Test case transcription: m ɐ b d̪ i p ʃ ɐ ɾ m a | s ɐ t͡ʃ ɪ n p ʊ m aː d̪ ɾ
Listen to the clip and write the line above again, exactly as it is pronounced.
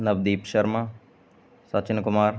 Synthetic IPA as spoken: n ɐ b d̪ iː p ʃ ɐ ɾ m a | s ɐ t͡ʃ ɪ n k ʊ m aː ɾ